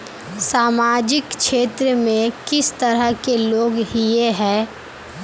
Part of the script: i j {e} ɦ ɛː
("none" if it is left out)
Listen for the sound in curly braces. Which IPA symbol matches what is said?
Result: e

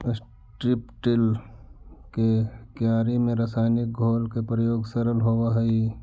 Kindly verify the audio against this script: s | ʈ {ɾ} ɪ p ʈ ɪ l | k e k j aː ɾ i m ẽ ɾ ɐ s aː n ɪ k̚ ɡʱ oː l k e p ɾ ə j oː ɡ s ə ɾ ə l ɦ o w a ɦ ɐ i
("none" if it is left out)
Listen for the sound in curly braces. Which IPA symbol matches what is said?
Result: ɾ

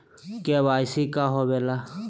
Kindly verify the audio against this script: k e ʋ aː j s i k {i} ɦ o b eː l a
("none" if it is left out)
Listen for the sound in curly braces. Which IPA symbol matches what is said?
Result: a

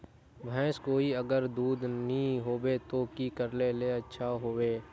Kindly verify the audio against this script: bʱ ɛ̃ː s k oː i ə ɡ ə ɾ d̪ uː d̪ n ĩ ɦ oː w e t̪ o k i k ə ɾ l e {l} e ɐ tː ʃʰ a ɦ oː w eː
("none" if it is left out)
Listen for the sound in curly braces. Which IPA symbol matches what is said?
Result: l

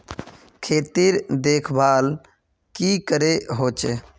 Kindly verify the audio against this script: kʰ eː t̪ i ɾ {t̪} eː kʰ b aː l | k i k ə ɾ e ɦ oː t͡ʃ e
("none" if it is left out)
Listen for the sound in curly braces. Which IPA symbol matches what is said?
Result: d̪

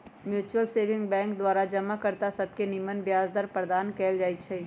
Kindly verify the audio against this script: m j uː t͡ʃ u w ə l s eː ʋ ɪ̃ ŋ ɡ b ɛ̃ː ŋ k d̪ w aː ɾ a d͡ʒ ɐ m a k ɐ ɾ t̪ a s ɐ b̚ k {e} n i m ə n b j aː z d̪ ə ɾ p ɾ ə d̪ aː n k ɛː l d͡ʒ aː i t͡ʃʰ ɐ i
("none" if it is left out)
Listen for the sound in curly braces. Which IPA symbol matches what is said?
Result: e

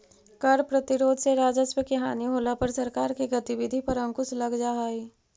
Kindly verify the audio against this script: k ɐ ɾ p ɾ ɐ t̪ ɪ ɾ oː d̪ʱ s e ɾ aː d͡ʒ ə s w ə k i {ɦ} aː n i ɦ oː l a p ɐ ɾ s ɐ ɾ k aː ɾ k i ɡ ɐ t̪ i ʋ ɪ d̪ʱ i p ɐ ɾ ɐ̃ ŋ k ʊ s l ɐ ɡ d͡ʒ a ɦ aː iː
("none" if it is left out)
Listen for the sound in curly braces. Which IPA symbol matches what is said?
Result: ɦ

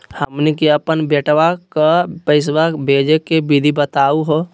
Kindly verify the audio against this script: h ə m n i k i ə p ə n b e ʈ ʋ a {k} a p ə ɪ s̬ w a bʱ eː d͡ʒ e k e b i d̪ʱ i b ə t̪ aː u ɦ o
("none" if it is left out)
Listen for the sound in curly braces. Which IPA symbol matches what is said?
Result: k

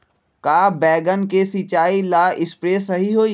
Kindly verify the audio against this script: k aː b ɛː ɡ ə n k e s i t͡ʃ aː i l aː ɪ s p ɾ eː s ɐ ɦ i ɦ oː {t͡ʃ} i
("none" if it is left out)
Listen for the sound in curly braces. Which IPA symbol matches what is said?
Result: none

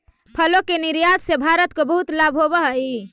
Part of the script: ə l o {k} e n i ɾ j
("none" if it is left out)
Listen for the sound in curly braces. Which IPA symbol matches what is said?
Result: k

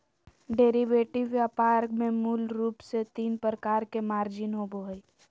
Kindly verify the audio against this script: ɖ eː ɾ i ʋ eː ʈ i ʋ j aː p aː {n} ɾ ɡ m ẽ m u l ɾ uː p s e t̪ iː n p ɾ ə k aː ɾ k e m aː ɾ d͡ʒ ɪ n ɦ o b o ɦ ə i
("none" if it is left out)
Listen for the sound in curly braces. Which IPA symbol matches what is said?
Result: none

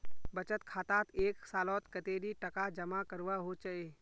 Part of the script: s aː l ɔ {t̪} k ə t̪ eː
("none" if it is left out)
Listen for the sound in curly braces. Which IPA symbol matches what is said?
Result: t̪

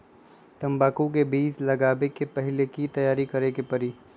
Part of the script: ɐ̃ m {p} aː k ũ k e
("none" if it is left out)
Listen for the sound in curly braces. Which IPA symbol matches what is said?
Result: b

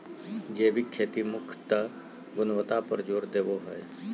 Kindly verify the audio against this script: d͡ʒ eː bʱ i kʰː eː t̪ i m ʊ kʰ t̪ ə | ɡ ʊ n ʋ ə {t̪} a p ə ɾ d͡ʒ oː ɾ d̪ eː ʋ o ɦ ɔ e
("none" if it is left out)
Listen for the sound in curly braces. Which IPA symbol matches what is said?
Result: t̪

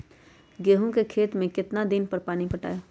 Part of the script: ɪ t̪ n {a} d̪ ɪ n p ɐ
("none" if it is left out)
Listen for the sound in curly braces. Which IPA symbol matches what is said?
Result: a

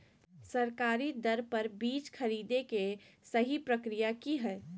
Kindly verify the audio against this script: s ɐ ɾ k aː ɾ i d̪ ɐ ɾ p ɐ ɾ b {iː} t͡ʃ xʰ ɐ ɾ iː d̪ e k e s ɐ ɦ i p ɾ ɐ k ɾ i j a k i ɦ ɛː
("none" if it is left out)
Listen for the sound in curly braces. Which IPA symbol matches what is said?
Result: iː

